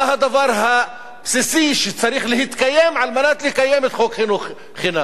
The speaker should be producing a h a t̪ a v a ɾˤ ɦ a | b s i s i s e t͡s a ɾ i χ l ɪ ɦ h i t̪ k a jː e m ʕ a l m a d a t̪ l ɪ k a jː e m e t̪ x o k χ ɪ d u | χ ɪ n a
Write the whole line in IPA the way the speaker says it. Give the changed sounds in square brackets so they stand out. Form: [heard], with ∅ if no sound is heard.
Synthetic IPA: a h a [d̪] a v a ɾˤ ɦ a | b s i s i [ʃ] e t͡s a ɾ i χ l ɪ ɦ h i t̪ k a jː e m ʕ a l m a [n] a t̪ l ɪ k a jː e m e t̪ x o k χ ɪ [n] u | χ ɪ n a

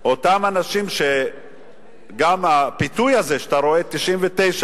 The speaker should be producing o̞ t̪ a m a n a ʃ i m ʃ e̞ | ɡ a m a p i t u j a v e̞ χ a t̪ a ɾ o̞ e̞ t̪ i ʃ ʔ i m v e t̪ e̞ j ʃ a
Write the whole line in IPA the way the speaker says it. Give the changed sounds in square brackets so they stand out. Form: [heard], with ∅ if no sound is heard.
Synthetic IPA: o̞ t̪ a m a n a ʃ i m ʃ e̞ | ɡ a m a p i t u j a [z] e̞ [ʃ] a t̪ a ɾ o̞ e̞ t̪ i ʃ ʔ i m v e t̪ e̞ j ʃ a

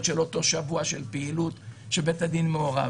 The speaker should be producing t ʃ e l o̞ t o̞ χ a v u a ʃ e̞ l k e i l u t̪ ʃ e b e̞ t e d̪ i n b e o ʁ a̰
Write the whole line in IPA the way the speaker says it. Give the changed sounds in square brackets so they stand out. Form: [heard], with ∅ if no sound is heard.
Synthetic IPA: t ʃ e l o̞ t o̞ [ʃ] a v u a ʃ e̞ l [p] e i l u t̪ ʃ e b e̞ t [a] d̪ i n [m] e o ʁ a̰

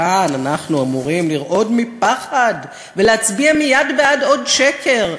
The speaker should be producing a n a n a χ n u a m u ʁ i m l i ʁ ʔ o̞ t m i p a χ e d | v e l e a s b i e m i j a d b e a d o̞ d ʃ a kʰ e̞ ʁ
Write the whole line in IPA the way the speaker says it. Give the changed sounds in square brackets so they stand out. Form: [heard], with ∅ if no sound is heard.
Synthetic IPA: a n a n a χ n u a m u ʁ i m l i ʁ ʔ o̞ [d] m i p a χ [a] d | v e l e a [t͡s] b i [a] m i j a d b e a d o̞ d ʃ [e] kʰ e̞ ʁ

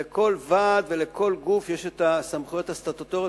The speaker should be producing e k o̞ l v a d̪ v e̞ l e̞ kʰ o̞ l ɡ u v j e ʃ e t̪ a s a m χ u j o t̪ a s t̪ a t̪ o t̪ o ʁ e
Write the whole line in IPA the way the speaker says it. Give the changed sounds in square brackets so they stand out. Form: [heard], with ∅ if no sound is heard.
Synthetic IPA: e k o̞ l v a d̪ v e̞ l e̞ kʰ o̞ l ɡ u [f] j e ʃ e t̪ a s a m χ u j o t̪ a s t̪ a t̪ o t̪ o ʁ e

